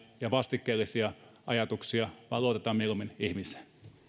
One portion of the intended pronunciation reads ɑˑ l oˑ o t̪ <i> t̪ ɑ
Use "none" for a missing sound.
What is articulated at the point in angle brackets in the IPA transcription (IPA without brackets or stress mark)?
e